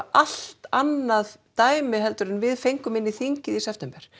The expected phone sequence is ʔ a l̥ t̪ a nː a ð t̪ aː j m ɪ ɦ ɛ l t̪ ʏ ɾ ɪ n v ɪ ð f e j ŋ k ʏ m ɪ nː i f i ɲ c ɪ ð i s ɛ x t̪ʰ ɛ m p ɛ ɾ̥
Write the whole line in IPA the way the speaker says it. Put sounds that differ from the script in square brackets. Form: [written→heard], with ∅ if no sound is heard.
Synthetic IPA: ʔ a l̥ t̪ a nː a ð t̪ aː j m ɪ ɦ ɛ l t̪ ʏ ɾ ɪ n v ɪ ð f e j ŋ k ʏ m ɪ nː i [f→θ] i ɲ c ɪ ð i s ɛ [x→f] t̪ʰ ɛ m p ɛ ɾ̥